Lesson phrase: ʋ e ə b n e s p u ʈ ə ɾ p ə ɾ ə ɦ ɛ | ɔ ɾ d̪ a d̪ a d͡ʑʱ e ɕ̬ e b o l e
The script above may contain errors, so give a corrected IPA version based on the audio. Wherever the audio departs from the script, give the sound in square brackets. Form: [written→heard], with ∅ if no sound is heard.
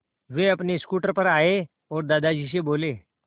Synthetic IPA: ʋ e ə [b→p] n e s [p→k] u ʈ ə ɾ p ə ɾ [ə→a] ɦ [ɛ→e] | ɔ ɾ d̪ a d̪ a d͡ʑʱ [e→i] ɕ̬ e b o l e